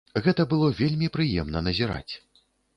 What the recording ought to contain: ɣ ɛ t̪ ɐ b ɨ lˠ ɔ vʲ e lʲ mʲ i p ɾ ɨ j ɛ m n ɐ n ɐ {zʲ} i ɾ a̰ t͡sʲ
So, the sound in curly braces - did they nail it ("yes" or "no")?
yes